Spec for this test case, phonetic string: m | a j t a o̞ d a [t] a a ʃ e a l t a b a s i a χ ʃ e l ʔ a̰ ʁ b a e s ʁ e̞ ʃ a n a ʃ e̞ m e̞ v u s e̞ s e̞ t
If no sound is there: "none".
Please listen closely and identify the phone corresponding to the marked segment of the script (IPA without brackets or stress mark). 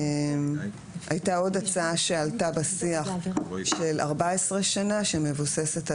t͡s